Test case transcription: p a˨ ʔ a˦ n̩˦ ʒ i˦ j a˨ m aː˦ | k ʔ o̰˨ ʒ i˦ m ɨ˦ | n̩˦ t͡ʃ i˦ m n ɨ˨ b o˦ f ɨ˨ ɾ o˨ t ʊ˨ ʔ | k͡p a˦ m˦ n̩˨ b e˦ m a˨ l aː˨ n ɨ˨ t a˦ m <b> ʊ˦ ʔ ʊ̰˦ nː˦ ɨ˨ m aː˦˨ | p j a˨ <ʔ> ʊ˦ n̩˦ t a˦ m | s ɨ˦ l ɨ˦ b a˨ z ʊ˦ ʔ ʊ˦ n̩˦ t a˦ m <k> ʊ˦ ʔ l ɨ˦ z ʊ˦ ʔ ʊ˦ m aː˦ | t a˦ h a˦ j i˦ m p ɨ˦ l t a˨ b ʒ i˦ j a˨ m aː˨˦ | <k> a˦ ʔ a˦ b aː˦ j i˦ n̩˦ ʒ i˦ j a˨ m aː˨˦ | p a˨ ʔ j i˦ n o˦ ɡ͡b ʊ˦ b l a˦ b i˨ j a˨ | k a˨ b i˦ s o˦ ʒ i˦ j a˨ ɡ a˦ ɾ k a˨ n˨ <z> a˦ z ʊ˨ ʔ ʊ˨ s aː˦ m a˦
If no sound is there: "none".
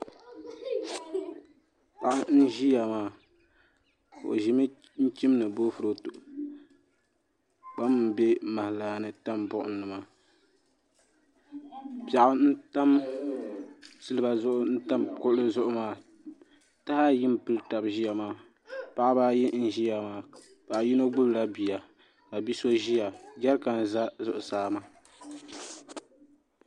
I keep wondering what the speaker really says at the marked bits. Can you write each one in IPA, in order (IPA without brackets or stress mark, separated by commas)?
b, ʔ, k, p, z